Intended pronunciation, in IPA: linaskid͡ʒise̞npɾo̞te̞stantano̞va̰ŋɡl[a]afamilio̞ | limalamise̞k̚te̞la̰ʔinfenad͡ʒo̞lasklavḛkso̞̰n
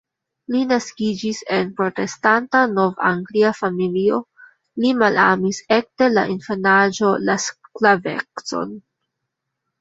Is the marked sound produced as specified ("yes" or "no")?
no